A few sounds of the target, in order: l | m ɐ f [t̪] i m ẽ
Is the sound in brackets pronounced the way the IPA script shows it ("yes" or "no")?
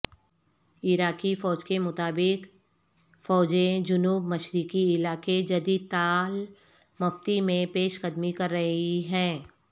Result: yes